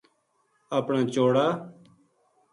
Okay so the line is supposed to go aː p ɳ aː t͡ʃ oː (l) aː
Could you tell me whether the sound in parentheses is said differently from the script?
yes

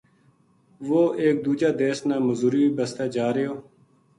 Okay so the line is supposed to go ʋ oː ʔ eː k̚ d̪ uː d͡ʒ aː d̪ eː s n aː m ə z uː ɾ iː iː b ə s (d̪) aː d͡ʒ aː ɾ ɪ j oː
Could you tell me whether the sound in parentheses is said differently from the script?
yes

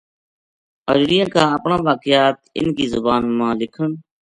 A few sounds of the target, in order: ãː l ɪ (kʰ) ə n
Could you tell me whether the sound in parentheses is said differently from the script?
no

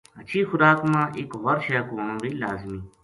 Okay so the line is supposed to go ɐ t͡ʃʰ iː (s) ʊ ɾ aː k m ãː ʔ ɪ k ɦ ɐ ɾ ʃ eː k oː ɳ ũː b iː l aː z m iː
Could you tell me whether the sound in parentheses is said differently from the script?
yes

